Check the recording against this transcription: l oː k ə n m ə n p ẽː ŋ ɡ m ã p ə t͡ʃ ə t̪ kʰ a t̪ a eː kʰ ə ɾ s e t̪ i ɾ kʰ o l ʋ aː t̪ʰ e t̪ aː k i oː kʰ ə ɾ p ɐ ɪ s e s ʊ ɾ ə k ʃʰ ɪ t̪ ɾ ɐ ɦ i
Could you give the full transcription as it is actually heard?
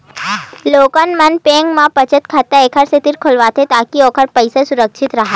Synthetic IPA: l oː k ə n m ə n p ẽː ŋ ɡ m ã p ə t͡ʃ ə t̪ kʰ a t̪ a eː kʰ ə ɾ s e t̪ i ɾ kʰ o l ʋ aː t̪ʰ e t̪ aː k i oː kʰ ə ɾ p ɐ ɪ s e s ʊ ɾ ə k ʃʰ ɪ t̪ ɾ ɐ ɦ a